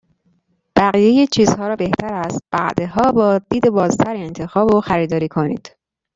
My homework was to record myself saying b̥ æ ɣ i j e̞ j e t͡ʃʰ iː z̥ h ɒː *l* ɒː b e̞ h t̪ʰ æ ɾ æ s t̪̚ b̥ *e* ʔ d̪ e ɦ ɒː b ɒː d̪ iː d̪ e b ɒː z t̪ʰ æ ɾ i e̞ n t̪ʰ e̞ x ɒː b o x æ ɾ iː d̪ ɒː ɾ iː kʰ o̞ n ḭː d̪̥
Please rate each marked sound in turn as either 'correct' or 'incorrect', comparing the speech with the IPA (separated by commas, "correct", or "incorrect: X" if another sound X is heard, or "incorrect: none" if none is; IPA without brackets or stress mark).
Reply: incorrect: ɾ, incorrect: æ